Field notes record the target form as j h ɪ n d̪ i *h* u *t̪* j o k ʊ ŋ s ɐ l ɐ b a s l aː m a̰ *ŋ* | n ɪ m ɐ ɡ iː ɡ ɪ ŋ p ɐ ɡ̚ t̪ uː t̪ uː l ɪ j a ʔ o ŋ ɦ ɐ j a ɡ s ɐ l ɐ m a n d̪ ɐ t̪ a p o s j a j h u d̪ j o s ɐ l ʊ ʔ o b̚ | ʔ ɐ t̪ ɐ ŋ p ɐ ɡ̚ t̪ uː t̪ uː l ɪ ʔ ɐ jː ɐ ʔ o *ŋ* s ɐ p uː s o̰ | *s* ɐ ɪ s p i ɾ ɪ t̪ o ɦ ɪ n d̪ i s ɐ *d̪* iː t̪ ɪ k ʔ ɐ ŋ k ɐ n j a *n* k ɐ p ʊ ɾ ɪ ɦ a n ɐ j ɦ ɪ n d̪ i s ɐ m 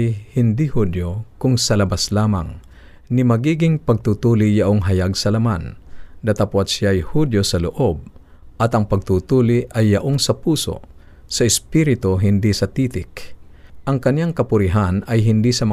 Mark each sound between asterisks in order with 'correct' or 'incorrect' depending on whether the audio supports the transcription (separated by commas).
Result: correct, incorrect, correct, correct, correct, incorrect, incorrect